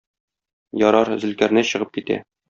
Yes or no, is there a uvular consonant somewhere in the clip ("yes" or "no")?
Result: yes